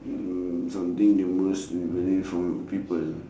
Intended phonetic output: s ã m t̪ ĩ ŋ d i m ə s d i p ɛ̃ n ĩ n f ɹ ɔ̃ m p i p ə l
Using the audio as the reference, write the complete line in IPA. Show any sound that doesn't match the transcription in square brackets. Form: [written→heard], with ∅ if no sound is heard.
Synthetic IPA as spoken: s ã m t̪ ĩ ŋ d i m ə s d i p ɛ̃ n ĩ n f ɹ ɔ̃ m p i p ə l